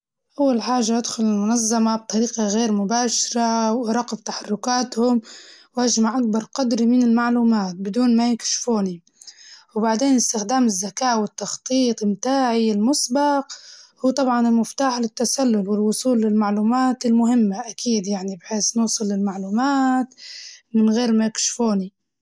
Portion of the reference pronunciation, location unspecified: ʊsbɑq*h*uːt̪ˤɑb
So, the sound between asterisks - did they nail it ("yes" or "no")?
yes